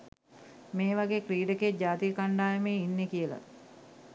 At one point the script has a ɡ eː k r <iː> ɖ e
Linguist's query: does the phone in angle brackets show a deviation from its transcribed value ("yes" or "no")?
no